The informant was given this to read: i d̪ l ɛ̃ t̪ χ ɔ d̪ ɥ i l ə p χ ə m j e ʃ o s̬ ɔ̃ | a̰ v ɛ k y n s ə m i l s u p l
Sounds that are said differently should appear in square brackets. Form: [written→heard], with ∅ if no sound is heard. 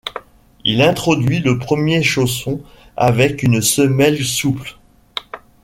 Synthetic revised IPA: i [d̪→∅] l ɛ̃ t̪ χ ɔ d̪ ɥ i l ə p χ ə m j e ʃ o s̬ ɔ̃ | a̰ v ɛ k y n s ə m [i→ɛ] l s u p l

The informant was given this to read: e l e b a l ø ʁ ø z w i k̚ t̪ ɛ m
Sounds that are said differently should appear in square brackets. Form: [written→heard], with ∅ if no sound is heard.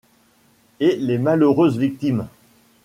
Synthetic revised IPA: e l e [b→m] a l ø ʁ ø z [w→v] i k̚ t̪ [ɛ→i] m

